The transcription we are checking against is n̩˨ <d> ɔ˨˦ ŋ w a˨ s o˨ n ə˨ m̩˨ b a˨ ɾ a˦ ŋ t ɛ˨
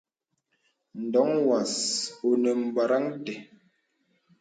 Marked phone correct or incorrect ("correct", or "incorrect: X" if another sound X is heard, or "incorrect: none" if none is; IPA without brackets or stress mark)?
correct